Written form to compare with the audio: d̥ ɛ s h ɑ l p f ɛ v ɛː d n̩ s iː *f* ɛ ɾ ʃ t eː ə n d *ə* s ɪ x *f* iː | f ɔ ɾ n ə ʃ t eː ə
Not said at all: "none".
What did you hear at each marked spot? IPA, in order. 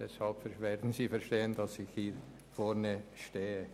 f, ɑ, h

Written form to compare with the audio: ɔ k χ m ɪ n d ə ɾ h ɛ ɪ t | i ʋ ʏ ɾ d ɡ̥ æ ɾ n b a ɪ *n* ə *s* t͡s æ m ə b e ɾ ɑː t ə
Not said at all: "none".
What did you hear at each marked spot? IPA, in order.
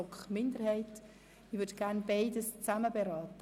d, s

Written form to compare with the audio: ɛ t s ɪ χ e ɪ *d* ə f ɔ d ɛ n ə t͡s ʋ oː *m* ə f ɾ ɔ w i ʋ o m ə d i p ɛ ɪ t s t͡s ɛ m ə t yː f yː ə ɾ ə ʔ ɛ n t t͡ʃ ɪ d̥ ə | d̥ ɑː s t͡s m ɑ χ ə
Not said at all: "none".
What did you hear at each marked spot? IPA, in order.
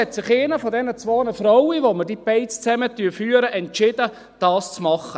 n, n

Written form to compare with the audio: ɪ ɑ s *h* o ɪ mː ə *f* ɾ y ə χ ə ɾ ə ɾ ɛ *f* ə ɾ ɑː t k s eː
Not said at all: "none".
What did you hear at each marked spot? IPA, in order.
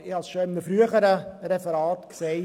ʃ, f, f

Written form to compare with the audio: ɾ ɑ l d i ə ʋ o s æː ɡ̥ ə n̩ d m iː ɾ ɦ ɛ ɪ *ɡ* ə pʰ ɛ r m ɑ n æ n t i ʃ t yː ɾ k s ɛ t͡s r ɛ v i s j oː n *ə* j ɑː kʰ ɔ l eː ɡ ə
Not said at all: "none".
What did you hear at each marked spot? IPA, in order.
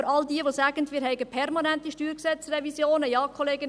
ɡ, ə

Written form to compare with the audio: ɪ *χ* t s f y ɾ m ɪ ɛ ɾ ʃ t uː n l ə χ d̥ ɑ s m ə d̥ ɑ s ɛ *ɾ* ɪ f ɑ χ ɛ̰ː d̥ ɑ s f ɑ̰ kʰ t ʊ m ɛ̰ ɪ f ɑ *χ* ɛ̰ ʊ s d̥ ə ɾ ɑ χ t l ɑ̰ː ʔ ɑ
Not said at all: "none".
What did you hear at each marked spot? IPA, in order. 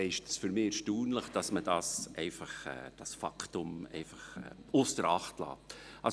ʃ, none, χ

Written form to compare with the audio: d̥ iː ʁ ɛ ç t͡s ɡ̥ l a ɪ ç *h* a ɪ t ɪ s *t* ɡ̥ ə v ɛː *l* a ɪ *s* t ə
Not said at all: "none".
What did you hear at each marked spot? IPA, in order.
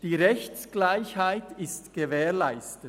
h, t, l, s

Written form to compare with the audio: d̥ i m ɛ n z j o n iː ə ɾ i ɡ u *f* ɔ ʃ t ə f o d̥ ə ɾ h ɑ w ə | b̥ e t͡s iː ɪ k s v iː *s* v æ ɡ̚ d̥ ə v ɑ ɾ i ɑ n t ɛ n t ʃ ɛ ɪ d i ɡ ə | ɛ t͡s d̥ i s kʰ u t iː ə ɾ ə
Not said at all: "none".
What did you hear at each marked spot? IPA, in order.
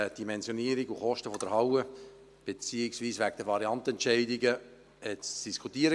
χ, s

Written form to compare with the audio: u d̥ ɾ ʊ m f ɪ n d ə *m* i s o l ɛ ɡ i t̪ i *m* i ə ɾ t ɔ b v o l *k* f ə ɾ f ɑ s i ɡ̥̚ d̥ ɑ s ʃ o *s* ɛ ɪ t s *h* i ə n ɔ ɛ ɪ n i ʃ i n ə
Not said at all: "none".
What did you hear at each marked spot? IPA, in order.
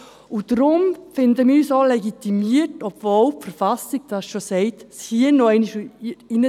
m, m, p, s, h

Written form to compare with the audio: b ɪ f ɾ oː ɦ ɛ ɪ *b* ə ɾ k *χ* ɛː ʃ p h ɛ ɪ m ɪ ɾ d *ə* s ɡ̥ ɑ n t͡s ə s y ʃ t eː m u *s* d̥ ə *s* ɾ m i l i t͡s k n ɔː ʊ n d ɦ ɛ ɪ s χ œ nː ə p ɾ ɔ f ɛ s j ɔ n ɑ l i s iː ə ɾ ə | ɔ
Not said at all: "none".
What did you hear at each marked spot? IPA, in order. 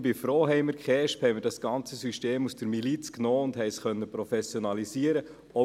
m, χ, ɑ, s, none

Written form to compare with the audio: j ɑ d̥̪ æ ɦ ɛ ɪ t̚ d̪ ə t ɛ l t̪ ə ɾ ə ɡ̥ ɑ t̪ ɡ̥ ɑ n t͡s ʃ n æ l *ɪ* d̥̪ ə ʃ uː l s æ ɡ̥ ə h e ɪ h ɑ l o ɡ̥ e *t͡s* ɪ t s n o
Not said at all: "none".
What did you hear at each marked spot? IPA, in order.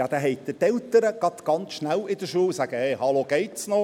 ɪ, none

